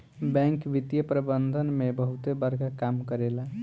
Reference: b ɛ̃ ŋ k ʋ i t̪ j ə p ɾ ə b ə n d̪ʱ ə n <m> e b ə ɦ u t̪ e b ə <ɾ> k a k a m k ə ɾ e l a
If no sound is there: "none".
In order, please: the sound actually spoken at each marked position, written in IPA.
m, ɾ

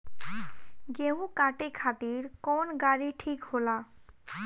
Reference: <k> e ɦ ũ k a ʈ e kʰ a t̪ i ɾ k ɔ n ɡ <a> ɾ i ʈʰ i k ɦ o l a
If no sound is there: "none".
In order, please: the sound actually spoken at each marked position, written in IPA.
ɡ, a

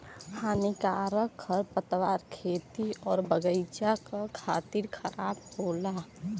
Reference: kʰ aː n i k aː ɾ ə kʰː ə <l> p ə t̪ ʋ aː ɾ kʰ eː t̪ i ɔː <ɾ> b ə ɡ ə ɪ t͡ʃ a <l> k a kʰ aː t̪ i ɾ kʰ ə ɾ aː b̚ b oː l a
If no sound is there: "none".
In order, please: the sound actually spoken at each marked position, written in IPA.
ɾ, ɾ, none

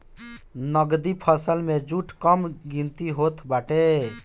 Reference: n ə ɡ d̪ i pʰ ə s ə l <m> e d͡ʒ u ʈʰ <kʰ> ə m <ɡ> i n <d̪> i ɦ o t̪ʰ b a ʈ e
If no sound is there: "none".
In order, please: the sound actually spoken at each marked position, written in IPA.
m, k, ɡ, t̪

